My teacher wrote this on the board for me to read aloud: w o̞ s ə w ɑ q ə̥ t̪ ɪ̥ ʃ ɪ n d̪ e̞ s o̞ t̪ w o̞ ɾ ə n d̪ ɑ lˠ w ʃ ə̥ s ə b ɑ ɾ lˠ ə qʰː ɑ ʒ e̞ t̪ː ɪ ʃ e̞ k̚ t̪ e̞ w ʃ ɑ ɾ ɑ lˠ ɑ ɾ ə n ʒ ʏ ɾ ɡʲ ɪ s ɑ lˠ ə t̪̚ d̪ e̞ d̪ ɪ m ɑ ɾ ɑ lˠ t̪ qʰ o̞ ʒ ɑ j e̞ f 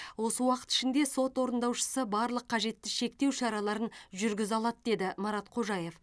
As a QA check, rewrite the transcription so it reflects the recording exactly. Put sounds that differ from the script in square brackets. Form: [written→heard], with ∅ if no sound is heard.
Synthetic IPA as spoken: w o̞ s ə w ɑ q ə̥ t̪ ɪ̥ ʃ ɪ n d̪ e̞ s o̞ t̪ w o̞ ɾ ə n d̪ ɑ [lˠ→∅] w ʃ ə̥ s ə b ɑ ɾ lˠ ə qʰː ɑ ʒ e̞ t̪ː ɪ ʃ e̞ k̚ t̪ e̞ w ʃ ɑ ɾ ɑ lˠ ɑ ɾ ə n ʒ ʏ ɾ ɡʲ ɪ [s→z] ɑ lˠ [ə→ɑ] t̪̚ d̪ e̞ d̪ ɪ m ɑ ɾ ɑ [lˠ→∅] t̪ qʰ o̞ ʒ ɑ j e̞ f

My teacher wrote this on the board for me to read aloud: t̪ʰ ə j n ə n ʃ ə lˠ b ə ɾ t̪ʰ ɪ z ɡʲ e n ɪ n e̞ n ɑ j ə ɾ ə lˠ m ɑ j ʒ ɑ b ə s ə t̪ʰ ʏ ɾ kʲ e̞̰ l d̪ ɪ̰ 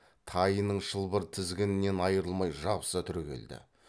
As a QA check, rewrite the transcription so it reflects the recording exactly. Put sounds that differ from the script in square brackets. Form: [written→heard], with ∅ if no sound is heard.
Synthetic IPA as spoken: t̪ʰ [ə→ɑ] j n ə [n→ɴ] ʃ ə lˠ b ə ɾ t̪ʰ ɪ z ɡʲ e n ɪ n e̞ n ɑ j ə ɾ ə lˠ m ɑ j ʒ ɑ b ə s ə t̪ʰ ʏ ɾ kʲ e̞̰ l d̪ ɪ̰

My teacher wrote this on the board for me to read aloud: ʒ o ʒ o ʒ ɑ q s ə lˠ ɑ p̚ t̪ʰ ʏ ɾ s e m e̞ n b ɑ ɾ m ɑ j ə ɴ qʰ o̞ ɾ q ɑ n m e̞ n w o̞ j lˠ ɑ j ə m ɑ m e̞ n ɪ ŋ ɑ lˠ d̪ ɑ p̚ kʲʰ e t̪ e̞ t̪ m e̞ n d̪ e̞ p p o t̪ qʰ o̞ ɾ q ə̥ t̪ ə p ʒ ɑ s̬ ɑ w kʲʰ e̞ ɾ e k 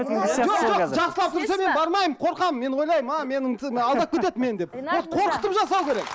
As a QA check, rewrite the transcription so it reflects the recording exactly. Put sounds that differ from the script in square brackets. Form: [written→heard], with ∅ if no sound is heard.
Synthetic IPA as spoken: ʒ o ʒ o ʒ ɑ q s ə lˠ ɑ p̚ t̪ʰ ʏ ɾ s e m e̞ n b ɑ ɾ m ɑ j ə [ɴ→m] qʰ o̞ ɾ q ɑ [n→m] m e̞ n w o̞ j lˠ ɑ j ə m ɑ m e̞ n ɪ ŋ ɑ lˠ d̪ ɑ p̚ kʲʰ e t̪ e̞ t̪ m e̞ n d̪ e̞ p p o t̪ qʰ o̞ ɾ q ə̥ t̪ ə p ʒ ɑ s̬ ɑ w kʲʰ e̞ ɾ e k

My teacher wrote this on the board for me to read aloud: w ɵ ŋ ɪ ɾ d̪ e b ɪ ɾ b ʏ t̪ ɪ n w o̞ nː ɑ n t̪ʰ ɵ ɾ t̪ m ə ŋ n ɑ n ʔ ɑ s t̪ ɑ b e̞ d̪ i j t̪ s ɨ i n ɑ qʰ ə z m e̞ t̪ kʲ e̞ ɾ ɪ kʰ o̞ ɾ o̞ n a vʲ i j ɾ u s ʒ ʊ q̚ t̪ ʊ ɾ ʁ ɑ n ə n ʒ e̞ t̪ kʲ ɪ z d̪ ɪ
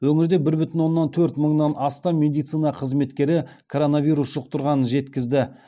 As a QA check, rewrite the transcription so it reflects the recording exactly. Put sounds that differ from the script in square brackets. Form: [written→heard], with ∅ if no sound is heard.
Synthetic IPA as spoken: w ɵ ŋ ɪ ɾ d̪ e b ɪ ɾ b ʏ t̪ ɪ n w o̞ nː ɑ n t̪ʰ ɵ ɾ t̪ m ə [ŋ→ɴ] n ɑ n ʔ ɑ s t̪ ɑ [b→m] e̞ d̪ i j t̪ s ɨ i n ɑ qʰ ə z m e̞ t̪ kʲ e̞ ɾ ɪ kʰ o̞ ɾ o̞ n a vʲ i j ɾ u s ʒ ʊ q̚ t̪ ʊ ɾ ʁ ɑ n ə n ʒ e̞ t̪ kʲ ɪ z d̪ ɪ

